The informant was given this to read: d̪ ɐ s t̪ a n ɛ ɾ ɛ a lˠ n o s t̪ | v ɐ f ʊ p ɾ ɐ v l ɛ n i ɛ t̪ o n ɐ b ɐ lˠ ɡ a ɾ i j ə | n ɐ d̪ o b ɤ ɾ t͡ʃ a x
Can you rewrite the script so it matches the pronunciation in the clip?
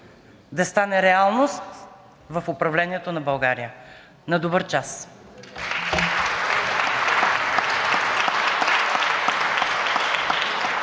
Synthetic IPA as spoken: d̪ ɐ s t̪ a n ɛ ɾ ɛ a lˠ n o s t̪ | v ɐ f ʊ p ɾ ɐ v l ɛ n i ɛ t̪ o n ɐ b ɐ lˠ ɡ a ɾ i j ə | n ɐ d̪ o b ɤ ɾ t͡ʃ a s